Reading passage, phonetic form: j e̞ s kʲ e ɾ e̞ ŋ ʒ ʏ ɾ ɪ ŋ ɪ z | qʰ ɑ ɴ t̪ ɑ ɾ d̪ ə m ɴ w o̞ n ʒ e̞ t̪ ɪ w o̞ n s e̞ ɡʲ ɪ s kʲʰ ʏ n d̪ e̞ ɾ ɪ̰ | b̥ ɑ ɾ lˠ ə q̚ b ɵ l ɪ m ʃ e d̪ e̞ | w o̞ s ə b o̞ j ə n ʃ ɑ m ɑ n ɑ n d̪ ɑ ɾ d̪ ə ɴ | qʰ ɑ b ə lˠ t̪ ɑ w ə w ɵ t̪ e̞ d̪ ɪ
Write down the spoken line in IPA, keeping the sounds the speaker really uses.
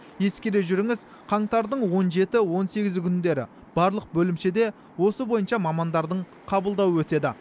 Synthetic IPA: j e̞ s kʲ e ɾ e̞ ʒ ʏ ɾ ɪ ŋ ɪ z | qʰ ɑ ɴ t̪ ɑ ɾ d̪ ə ɴ w o̞ n ʒ e̞ t̪ ɪ w o̞ n s e̞ ɡʲ ɪ z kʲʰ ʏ n d̪ e̞ ɾ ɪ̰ | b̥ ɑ ɾ lˠ ə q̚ b ɵ l ɪ m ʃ e d̪ e̞ | w o̞ s ə b o̞ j ə n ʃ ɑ m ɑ m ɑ n d̪ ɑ ɾ d̪ ə ɴ | qʰ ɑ b ə lˠ d̪ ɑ w ə w ɵ t̪ e̞ d̪ ɪ